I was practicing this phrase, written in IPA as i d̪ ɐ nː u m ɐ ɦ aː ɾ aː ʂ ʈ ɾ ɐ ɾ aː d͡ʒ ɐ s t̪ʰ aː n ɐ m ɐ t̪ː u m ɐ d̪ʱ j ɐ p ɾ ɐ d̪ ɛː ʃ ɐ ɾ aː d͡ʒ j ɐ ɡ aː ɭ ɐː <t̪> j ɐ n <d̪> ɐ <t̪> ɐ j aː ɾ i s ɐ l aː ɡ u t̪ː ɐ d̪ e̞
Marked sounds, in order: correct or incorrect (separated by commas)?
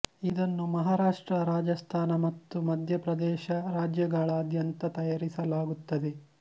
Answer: incorrect, incorrect, correct